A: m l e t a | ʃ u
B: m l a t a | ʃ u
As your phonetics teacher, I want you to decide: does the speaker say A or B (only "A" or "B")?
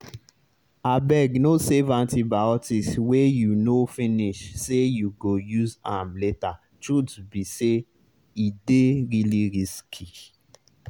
A